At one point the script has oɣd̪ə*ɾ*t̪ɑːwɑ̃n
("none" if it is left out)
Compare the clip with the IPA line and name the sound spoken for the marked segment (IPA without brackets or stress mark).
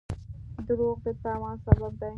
none